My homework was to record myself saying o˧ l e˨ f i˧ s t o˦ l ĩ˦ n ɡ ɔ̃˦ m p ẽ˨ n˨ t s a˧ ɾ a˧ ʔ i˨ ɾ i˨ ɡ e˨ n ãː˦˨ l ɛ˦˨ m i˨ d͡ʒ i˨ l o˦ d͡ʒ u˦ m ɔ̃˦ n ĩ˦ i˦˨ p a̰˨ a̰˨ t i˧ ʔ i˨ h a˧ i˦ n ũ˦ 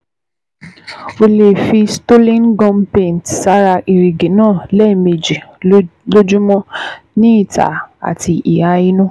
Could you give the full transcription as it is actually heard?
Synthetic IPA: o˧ l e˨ f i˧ s t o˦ l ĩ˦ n ɡ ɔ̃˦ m p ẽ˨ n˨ t s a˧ ɾ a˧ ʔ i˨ ɾ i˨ ɡ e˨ n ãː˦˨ l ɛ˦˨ m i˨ d͡ʒ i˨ l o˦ d͡ʒ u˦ m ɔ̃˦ n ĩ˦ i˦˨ t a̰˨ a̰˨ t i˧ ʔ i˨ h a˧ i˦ n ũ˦